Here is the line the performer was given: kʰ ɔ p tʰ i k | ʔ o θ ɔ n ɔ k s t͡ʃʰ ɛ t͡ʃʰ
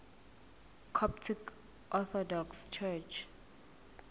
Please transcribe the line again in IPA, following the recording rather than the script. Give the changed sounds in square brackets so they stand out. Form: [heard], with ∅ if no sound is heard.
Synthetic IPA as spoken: kʰ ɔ p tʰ i k | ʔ [ɔ] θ ɔ [d] ɔ k s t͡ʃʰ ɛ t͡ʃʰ